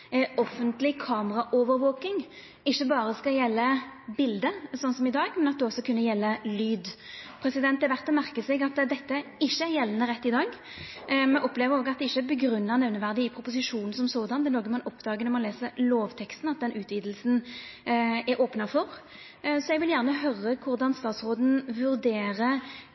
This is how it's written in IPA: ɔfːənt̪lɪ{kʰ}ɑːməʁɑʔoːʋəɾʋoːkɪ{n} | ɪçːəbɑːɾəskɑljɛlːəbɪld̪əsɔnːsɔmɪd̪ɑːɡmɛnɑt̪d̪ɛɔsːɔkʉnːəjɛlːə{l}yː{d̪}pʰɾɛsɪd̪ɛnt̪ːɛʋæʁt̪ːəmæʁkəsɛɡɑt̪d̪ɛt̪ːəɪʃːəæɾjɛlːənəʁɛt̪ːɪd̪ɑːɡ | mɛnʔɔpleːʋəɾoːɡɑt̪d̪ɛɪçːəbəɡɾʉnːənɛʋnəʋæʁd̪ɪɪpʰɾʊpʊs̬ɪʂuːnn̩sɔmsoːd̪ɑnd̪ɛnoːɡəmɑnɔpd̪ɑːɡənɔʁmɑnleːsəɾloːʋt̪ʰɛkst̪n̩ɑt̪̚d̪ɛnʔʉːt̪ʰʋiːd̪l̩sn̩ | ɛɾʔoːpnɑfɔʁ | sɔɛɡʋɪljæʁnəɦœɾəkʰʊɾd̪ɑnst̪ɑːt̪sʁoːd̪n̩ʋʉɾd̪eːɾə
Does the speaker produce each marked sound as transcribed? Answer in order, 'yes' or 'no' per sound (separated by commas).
yes, no, yes, yes